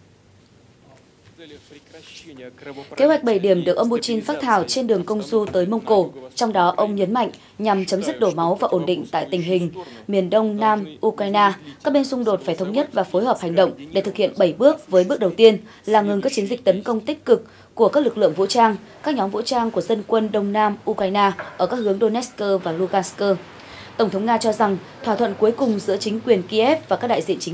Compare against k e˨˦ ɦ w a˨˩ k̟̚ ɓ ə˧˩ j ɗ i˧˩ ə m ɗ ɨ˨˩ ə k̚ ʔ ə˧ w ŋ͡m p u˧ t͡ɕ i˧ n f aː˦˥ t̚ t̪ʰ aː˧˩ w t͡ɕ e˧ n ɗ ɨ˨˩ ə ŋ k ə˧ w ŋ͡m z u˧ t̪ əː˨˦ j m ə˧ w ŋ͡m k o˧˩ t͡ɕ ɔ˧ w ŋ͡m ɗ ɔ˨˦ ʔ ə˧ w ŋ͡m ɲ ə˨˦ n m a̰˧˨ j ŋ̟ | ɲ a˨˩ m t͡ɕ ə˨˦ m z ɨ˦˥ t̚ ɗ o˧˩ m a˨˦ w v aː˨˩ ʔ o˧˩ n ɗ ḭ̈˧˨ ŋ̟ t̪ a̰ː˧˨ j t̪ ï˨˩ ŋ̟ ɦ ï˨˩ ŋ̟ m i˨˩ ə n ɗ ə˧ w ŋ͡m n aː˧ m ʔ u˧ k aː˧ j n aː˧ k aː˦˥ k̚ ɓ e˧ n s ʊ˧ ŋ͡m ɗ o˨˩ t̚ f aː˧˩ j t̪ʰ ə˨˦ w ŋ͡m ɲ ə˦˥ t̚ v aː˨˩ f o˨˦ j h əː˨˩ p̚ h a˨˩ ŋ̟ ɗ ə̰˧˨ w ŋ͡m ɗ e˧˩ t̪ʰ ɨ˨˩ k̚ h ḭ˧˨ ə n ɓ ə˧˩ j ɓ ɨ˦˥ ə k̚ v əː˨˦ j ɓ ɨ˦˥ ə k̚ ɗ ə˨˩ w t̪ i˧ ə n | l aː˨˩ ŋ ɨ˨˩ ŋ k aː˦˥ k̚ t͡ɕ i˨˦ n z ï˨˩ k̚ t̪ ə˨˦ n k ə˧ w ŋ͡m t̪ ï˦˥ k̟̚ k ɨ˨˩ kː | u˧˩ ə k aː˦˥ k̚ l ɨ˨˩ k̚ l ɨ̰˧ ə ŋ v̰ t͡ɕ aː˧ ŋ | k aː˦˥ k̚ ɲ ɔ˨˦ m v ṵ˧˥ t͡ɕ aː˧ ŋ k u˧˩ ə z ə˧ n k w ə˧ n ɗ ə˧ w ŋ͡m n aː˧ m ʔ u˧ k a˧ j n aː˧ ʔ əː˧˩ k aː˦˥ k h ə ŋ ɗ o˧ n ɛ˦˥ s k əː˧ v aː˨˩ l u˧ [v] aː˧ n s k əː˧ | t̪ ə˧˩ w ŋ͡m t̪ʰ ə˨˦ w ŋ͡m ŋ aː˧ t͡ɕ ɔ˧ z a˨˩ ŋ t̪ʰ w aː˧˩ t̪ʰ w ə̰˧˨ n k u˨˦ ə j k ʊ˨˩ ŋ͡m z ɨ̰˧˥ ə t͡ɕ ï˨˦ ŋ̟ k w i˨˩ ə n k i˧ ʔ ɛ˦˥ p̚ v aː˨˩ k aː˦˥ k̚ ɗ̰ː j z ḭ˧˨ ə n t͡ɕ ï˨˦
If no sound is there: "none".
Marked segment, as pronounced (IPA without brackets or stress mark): ɣ